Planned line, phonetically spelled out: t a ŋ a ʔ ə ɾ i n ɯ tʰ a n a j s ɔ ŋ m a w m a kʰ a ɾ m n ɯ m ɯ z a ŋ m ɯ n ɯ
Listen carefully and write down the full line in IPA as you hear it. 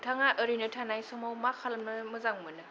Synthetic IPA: tʰ a ŋ a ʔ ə ɾ i n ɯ tʰ a n a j s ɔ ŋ m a w m a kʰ a l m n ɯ m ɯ z a ŋ m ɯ n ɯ